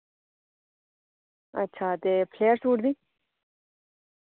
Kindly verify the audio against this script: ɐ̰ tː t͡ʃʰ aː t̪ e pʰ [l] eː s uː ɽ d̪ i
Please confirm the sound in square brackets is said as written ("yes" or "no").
yes